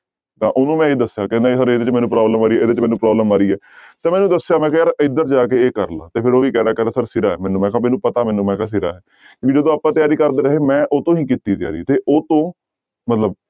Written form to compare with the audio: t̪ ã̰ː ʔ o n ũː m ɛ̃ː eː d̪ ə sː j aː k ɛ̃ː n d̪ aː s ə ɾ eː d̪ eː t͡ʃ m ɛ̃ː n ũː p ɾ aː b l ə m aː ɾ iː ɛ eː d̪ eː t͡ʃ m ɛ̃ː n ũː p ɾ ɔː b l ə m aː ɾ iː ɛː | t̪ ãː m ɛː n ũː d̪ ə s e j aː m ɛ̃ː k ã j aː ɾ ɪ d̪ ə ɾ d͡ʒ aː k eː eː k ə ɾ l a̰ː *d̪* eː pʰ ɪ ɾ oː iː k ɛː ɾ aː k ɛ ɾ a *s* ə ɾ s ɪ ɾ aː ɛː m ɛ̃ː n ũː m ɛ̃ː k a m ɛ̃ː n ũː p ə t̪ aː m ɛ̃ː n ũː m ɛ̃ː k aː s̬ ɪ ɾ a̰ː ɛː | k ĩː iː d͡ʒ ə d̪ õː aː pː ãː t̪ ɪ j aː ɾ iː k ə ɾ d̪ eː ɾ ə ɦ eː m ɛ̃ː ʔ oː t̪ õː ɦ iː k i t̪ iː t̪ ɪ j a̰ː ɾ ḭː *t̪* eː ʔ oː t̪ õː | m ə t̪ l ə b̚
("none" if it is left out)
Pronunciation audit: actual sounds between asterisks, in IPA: t̪, s, t̪

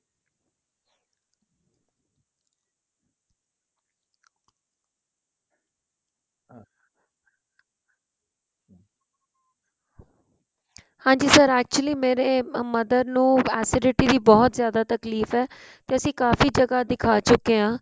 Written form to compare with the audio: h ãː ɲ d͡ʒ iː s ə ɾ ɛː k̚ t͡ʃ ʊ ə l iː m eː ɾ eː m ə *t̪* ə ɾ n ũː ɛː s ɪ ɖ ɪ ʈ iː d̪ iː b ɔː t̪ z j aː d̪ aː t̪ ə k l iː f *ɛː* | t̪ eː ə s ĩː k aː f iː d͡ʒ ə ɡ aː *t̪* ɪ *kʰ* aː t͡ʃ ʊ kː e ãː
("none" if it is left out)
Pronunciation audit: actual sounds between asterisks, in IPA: d̪, ɛː, d̪, kʰ

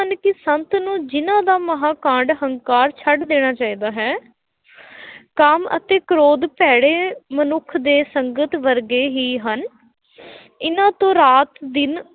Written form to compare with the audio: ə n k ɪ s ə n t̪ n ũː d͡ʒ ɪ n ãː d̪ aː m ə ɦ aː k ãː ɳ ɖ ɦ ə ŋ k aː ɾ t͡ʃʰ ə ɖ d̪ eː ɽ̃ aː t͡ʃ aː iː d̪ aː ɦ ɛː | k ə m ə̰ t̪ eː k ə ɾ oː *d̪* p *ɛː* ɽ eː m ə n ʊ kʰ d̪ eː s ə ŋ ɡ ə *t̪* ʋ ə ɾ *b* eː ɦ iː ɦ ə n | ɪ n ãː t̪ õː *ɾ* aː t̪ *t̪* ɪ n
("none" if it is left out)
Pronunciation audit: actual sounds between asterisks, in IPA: d̪, ɛː, t̪, ɡ, ɾ, d̪

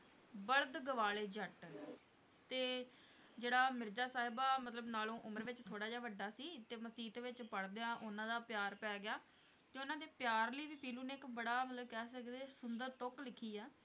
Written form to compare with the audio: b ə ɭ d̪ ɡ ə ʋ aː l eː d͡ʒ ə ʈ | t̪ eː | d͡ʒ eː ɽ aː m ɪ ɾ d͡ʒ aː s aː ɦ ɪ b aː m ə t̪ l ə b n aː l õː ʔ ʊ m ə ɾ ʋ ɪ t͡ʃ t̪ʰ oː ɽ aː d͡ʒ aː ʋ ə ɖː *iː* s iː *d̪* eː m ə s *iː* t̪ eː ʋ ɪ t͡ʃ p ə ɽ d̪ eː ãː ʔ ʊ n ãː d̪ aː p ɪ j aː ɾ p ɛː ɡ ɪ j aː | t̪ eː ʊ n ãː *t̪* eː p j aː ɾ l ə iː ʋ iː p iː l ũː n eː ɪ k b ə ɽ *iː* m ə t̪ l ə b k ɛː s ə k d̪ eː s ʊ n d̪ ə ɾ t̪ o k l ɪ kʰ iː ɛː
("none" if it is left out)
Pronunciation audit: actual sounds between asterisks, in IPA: aː, t̪, iː, d̪, aː

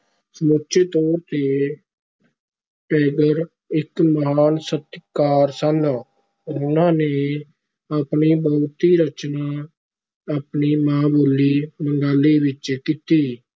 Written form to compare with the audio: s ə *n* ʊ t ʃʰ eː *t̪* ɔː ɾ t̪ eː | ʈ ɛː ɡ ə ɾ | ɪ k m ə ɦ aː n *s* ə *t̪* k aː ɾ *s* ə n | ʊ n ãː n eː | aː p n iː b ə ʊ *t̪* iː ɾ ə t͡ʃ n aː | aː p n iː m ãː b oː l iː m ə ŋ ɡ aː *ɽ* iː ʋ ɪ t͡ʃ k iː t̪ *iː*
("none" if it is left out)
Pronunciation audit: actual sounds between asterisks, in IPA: m, t̪, s, t̪, s, t̪, l, iː

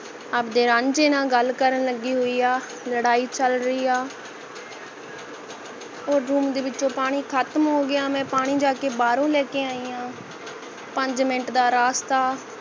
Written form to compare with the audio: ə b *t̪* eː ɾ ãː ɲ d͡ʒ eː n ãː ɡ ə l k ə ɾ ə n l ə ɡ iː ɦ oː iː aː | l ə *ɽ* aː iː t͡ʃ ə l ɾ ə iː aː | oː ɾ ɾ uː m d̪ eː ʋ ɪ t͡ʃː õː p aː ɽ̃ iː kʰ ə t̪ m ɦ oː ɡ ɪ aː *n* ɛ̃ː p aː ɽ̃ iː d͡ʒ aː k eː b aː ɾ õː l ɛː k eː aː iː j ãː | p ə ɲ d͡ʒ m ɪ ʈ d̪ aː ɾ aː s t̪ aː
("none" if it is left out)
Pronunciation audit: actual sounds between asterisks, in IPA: d̪, ɽ, m

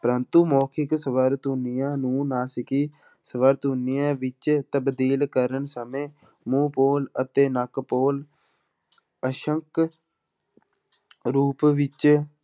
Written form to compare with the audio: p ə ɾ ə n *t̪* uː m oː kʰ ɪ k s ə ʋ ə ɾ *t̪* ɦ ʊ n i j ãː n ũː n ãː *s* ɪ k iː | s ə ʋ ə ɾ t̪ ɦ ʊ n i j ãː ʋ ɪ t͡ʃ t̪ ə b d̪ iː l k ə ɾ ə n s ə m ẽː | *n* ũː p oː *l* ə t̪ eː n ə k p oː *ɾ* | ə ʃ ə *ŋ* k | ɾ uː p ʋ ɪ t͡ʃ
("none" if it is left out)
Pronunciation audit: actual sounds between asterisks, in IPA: t̪, t̪, s, m, l, l, ŋ

